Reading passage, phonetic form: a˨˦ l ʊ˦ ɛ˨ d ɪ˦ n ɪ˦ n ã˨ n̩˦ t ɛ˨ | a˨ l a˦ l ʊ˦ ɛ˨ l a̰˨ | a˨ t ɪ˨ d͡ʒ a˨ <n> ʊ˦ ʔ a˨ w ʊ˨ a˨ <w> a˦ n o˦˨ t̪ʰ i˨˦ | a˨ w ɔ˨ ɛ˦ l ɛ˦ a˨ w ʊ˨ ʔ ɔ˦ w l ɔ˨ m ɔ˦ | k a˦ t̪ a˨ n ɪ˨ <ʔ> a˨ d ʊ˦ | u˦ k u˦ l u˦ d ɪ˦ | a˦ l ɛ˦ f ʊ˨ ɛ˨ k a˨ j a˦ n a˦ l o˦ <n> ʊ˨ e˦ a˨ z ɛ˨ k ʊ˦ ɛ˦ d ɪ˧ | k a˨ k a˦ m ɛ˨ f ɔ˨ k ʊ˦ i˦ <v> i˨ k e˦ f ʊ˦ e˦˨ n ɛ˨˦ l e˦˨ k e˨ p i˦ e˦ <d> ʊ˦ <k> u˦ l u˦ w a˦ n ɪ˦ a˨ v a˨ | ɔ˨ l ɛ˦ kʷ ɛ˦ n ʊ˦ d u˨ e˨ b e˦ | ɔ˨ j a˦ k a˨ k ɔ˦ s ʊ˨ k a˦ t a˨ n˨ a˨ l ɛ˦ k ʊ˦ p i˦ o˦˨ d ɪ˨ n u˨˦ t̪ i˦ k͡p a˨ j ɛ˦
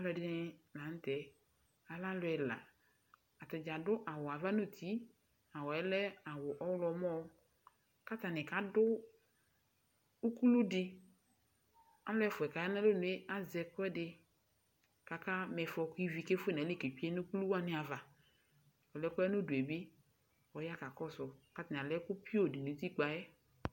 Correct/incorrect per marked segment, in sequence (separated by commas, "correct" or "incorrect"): incorrect, incorrect, incorrect, correct, correct, incorrect, correct